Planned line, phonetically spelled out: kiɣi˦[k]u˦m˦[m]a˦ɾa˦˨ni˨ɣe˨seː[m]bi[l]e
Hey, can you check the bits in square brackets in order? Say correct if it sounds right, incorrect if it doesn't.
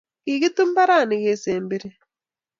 incorrect, incorrect, correct, incorrect

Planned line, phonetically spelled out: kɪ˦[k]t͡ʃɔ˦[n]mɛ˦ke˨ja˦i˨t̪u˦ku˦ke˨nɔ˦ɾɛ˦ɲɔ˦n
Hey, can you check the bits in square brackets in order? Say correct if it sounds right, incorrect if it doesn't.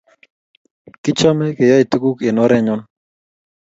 incorrect, incorrect

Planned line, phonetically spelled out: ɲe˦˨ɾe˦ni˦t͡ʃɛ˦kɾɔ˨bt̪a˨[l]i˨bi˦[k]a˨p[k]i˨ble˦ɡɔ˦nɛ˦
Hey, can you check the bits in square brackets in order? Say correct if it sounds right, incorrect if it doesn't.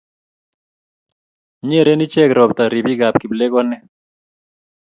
incorrect, incorrect, correct

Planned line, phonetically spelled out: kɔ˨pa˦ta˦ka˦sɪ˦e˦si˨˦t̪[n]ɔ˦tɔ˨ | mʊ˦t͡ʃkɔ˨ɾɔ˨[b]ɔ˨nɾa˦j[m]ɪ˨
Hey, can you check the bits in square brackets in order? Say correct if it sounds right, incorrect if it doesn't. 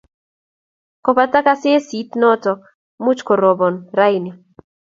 correct, correct, incorrect

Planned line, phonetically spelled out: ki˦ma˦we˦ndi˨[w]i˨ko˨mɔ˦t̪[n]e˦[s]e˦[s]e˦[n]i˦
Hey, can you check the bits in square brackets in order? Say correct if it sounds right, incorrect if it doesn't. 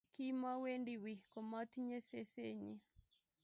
correct, incorrect, correct, correct, incorrect

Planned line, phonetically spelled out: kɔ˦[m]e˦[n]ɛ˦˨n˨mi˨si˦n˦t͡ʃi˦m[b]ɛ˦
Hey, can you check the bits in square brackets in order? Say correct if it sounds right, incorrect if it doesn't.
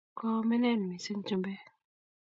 correct, correct, correct

